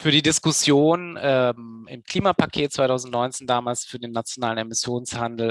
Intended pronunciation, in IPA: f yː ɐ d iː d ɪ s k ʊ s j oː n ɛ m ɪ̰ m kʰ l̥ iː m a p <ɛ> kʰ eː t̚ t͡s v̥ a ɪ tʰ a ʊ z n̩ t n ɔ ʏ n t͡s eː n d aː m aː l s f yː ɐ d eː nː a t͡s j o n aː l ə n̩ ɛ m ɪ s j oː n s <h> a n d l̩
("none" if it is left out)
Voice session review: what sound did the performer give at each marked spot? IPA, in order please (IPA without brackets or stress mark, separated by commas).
a, h